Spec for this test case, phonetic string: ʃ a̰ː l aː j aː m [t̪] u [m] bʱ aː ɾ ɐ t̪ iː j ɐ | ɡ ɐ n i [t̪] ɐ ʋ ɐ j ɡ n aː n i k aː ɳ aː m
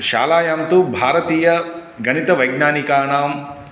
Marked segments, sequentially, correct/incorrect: correct, incorrect: none, correct

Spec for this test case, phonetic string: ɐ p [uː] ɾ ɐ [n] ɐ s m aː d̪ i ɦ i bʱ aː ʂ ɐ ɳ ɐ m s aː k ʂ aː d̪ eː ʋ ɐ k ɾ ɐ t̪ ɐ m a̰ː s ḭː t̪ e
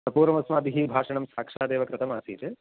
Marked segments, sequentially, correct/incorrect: correct, incorrect: m

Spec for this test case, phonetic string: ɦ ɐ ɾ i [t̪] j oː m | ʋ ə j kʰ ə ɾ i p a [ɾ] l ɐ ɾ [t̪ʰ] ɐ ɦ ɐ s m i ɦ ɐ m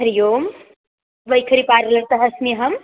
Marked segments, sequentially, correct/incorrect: incorrect: none, correct, incorrect: t̪

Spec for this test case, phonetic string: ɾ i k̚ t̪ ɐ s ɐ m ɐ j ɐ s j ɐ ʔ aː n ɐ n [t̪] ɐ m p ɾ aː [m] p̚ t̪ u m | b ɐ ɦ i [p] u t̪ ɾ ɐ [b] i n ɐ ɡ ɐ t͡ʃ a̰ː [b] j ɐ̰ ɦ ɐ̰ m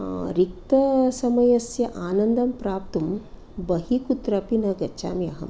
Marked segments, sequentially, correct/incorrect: incorrect: d̪, incorrect: none, incorrect: k, incorrect: p, incorrect: m

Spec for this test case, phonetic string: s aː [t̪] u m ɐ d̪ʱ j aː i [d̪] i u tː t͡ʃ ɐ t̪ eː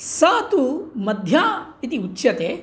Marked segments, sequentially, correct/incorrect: correct, incorrect: t̪

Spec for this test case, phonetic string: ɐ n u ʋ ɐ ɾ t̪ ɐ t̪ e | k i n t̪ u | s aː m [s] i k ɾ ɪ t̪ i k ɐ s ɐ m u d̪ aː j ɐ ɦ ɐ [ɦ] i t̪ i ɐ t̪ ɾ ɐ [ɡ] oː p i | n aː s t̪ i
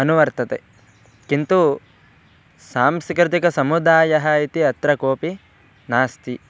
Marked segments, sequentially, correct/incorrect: correct, incorrect: none, incorrect: k

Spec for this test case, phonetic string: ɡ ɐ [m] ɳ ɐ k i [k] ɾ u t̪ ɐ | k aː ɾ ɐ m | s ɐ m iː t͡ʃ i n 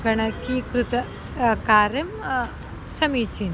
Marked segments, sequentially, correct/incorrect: incorrect: none, correct

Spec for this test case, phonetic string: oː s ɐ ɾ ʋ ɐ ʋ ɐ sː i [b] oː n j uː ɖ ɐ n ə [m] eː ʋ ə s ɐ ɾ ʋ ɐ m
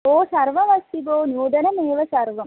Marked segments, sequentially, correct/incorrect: correct, correct

